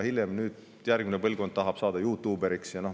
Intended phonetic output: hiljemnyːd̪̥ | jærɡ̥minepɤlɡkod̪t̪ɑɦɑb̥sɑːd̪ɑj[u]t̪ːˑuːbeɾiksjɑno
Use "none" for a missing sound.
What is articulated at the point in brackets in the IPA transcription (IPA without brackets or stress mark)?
uː